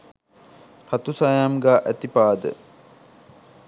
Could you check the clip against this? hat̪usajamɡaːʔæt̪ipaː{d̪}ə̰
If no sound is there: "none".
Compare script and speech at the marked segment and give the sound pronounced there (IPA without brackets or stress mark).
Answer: d̪